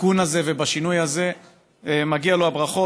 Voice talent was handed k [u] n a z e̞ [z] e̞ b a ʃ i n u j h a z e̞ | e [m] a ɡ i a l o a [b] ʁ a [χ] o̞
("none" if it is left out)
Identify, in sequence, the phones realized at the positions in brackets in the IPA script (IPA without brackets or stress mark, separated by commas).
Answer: u, v, m, b, χ